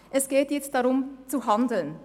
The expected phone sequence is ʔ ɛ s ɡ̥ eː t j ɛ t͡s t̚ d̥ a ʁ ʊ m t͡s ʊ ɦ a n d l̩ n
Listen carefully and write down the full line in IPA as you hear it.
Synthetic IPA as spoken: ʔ ɛ s ɡ̥ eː t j ɛ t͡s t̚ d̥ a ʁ ʊ m t͡s u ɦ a n d l̩ n